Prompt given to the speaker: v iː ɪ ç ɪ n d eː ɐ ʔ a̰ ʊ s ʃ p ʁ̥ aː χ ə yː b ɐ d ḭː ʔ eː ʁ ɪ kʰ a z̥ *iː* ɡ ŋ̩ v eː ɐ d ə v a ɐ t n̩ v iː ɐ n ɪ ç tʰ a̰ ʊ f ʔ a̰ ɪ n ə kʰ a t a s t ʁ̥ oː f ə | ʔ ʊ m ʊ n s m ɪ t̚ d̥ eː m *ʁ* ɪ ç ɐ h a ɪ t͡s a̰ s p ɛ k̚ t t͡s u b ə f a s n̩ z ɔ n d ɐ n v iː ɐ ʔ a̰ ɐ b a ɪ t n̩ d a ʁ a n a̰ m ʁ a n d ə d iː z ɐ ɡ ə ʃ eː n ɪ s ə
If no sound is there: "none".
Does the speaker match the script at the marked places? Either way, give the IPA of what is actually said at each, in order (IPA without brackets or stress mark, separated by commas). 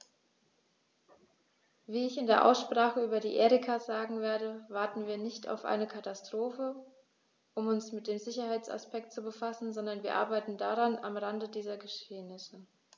aː, z